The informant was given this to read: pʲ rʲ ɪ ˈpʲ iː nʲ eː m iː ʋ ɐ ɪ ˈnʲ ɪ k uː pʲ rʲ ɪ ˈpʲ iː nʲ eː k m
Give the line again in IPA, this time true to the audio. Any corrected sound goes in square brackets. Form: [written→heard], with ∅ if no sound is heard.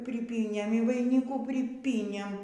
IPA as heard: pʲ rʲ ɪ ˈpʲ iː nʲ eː m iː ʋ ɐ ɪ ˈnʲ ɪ k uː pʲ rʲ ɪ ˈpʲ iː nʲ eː [k→∅] m

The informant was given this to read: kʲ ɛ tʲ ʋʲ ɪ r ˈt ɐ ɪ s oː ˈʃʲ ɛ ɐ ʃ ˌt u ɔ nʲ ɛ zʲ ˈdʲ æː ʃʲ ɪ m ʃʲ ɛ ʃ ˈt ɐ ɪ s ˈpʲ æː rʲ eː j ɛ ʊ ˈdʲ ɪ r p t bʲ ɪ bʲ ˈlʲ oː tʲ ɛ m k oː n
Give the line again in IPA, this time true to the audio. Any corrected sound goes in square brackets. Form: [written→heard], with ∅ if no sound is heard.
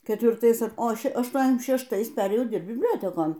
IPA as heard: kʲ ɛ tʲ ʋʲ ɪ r ˈt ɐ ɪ s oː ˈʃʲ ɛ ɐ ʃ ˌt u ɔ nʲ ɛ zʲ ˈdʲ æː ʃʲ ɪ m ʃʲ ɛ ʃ ˈt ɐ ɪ s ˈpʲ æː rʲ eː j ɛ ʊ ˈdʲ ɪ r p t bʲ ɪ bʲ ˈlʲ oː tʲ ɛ [m→∅] k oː n

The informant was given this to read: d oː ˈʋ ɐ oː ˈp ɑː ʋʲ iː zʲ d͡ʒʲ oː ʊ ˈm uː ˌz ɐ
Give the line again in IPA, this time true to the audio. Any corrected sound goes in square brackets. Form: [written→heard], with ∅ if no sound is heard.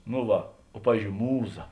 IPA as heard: [d→n] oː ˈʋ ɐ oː ˈp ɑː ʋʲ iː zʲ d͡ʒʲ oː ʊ ˈm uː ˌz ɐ

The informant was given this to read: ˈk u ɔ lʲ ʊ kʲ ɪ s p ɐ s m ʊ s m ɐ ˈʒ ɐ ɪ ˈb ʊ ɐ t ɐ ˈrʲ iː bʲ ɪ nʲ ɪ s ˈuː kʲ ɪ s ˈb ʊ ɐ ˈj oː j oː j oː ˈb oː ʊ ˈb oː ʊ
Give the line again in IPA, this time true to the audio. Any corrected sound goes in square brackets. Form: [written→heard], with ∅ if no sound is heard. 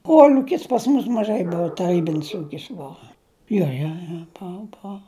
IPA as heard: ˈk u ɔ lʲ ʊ kʲ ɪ s p ɐ s m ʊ s m ɐ ˈʒ ɐ ɪ ˈb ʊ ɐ t ɐ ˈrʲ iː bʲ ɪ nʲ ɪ s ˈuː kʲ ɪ s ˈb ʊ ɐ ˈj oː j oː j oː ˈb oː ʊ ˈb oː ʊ

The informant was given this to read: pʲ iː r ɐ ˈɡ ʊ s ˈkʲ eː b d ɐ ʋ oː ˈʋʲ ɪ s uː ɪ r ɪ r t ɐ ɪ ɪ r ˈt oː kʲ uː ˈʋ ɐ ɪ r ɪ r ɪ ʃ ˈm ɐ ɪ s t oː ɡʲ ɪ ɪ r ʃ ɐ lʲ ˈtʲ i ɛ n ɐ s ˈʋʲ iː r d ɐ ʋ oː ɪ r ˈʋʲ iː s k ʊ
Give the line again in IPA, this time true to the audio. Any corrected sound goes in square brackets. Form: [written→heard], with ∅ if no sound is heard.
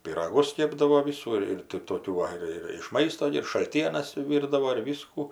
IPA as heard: pʲ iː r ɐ ˈɡ ʊ s ˈkʲ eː b d ɐ ʋ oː ˈʋʲ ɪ s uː ɪ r ɪ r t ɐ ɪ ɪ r ˈt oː kʲ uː ˈʋ ɐ ɪ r ɪ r ɪ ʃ ˈm ɐ ɪ s t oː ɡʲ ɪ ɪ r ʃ ɐ lʲ ˈtʲ i ɛ n ɐ s ˈʋʲ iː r d ɐ ʋ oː ɪ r ˈʋʲ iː s k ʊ

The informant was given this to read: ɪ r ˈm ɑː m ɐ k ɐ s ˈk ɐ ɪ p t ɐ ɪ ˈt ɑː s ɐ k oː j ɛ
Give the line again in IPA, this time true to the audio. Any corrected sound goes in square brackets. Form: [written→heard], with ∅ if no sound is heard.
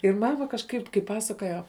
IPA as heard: ɪ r ˈm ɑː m ɐ k ɐ [s→ʃ] ˈk ɐ ɪ p [t→k] ɐ ɪ [ˈt→ˈp] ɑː s ɐ k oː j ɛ

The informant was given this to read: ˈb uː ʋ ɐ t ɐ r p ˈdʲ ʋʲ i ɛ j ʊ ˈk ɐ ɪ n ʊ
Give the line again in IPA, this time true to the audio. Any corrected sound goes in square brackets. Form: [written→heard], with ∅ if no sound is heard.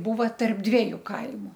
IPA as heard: ˈb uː ʋ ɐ t ɐ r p ˈdʲ ʋʲ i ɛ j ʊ ˈk ɐ ɪ [n→m] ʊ

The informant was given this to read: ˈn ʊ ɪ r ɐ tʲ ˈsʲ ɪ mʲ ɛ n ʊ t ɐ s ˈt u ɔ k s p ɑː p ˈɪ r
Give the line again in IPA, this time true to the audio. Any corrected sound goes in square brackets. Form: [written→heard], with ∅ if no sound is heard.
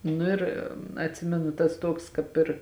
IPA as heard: ˈn ʊ ɪ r ɐ tʲ ˈsʲ ɪ mʲ ɛ n ʊ t ɐ s ˈt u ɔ k s [p→k] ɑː p ˈɪ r

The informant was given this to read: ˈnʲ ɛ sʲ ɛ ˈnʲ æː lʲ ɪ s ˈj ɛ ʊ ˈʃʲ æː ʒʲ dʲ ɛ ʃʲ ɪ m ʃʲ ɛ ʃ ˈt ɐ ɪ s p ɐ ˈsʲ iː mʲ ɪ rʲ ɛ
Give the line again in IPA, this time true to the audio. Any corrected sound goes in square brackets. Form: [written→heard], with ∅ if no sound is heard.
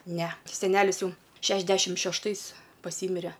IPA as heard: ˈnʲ ɛ sʲ ɛ ˈnʲ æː lʲ ɪ s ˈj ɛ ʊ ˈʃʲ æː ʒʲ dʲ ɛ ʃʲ ɪ m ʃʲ ɛ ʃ ˈt ɐ ɪ s p ɐ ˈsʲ iː mʲ ɪ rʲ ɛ

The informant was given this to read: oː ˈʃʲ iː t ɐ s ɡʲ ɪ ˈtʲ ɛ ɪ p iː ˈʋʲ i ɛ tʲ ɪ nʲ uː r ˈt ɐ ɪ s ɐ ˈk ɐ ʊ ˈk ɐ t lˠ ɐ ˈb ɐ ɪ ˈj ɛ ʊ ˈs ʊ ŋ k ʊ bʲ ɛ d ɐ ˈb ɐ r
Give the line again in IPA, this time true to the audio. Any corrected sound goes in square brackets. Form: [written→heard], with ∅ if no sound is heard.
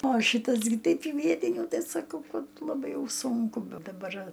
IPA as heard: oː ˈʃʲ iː t ɐ s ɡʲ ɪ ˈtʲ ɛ ɪ p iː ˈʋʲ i ɛ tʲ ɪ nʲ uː [r→∅] ˈt ɐ ɪ s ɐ ˈk ɐ ʊ ˈk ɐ t lˠ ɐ ˈb ɐ ɪ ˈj ɛ ʊ ˈs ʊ ŋ k ʊ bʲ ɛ d ɐ ˈb ɐ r

